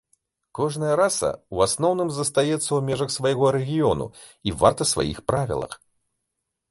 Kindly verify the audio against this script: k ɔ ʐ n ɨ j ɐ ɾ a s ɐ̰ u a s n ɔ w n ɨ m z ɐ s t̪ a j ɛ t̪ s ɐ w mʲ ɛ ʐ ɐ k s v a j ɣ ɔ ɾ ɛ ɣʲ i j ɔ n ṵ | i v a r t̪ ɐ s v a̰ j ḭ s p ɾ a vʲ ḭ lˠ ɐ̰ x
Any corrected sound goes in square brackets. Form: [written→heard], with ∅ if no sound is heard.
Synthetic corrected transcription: k ɔ ʐ n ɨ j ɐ ɾ a s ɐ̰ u a s n ɔ w n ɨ m z ɐ s t̪ a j ɛ t̪ [s→sː] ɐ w mʲ ɛ ʐ ɐ [k→x] s v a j ɣ ɔ ɾ ɛ ɣʲ i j ɔ n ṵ | i v a r t̪ ɐ s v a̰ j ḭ [s→x] p ɾ a vʲ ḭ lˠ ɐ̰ x